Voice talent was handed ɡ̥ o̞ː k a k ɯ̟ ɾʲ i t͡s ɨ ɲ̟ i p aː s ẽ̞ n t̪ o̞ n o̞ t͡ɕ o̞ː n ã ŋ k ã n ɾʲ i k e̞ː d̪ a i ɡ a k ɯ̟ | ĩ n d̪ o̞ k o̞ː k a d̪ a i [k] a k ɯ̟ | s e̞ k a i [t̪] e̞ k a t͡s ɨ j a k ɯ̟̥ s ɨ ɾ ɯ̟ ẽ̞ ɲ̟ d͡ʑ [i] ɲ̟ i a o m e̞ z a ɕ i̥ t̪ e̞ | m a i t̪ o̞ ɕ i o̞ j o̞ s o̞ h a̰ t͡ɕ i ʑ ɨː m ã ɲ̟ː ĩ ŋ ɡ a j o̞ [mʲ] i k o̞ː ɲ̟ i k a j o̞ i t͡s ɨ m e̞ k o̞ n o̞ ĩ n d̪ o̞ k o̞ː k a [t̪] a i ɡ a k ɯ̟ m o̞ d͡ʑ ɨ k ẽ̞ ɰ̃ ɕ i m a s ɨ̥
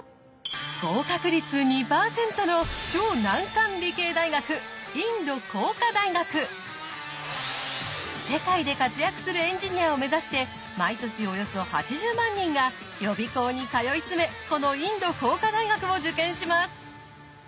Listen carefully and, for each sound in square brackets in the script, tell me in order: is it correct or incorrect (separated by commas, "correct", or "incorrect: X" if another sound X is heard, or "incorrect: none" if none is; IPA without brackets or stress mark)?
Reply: incorrect: ɡ, incorrect: d̪, correct, incorrect: bʲ, incorrect: d̪